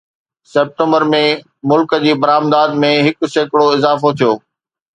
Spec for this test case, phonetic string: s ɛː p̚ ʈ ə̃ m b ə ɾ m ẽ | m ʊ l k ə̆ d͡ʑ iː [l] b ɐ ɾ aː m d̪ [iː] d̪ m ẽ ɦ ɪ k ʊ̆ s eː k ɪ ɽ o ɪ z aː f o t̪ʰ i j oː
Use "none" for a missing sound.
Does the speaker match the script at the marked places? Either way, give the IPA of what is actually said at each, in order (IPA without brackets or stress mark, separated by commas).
none, aː